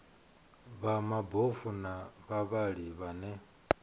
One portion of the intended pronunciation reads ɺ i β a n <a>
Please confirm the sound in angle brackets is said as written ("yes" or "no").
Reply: no